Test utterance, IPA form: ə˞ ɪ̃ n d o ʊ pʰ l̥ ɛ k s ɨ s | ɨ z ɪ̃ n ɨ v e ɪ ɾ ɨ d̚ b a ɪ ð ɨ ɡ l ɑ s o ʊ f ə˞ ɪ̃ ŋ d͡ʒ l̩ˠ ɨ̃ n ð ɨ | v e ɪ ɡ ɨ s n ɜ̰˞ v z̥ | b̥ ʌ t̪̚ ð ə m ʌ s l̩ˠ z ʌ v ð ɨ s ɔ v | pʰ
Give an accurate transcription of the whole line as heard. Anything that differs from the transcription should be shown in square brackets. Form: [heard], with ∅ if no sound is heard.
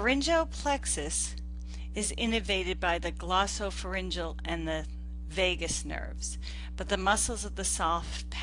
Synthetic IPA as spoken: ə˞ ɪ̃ n [d͡ʒ] o ʊ pʰ l̥ ɛ k s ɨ s | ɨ z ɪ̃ n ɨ v e ɪ ɾ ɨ d̚ b a ɪ ð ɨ ɡ l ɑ s o ʊ f ə˞ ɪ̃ [n] d͡ʒ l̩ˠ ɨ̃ n ð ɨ | v e ɪ ɡ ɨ s n ɜ̰˞ v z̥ | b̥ ʌ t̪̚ ð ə m ʌ s l̩ˠ z ʌ v ð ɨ s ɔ [f] | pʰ